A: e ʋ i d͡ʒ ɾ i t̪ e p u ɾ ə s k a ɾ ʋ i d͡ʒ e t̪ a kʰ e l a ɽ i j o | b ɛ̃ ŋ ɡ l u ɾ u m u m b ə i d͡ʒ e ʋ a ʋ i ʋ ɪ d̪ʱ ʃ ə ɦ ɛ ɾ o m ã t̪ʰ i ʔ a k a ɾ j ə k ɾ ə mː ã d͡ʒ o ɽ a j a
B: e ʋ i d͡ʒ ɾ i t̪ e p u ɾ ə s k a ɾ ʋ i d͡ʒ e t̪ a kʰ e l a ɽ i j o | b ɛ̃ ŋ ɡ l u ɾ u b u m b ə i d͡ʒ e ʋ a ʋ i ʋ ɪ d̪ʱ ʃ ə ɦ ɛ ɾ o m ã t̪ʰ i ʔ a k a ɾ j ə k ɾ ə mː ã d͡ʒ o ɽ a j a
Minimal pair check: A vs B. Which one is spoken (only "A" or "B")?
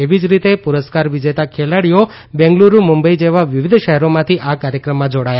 A